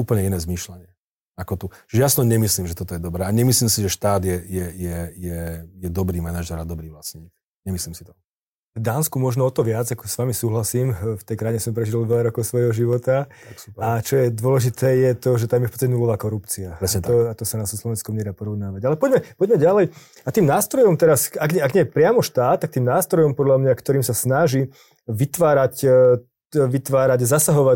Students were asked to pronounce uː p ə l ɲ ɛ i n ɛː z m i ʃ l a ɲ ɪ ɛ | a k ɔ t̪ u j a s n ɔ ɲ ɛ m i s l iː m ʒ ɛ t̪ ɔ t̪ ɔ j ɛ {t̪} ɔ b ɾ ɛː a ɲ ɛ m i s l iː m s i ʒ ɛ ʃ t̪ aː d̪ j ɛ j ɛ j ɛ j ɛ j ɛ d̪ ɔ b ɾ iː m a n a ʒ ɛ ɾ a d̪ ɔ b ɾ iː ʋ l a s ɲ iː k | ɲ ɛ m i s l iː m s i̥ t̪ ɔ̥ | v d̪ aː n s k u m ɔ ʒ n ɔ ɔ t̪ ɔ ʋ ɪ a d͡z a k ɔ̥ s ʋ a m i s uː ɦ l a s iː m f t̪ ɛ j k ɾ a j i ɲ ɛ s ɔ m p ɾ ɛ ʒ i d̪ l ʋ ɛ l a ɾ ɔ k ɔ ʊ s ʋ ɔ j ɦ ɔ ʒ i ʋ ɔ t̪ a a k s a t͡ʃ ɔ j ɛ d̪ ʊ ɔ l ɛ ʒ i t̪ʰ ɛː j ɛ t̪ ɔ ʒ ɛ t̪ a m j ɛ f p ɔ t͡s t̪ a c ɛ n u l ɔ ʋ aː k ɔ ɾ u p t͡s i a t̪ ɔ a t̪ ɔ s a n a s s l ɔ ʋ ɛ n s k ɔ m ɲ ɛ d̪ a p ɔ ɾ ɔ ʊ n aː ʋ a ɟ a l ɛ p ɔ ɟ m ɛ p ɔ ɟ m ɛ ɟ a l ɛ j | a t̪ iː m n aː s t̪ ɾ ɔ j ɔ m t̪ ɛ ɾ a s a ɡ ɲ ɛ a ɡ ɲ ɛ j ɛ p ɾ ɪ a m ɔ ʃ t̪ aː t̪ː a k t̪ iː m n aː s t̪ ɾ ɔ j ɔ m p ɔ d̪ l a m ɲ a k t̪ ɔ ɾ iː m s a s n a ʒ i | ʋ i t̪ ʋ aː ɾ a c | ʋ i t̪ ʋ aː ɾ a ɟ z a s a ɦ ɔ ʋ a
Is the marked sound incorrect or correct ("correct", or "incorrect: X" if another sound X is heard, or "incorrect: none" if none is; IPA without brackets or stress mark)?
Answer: incorrect: d̪